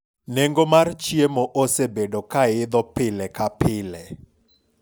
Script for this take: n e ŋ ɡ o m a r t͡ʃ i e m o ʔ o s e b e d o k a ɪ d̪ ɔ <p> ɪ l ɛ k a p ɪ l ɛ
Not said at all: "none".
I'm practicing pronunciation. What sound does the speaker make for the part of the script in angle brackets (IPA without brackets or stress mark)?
p